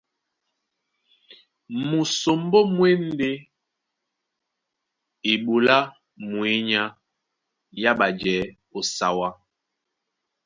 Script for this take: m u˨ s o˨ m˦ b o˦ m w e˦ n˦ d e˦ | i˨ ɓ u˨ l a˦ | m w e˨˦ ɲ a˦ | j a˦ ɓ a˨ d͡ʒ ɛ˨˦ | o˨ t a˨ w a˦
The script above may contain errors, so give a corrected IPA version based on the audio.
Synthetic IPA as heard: m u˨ s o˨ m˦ b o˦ m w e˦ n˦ d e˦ | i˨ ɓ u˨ l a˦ | m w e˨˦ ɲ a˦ | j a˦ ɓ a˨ d͡ʒ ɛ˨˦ | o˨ s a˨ w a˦